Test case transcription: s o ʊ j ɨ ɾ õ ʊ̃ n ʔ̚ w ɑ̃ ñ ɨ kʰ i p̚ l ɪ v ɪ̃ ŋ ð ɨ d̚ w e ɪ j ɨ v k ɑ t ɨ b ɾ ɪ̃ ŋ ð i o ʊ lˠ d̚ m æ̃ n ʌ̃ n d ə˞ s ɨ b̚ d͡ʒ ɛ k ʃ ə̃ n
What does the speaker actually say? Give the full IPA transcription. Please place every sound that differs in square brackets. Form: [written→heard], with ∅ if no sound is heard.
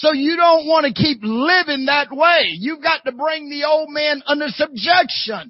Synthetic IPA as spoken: s o ʊ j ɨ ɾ õ ʊ̃ n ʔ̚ w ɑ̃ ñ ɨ kʰ i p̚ l ɪ v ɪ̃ ŋ ð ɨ [d̚→t̚] w e ɪ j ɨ v [k→ɡ] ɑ t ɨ b [ɾ→ɹ] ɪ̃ ŋ ð i o ʊ lˠ d̚ m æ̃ n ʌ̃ n d ə˞ s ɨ b̚ d͡ʒ ɛ k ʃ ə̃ n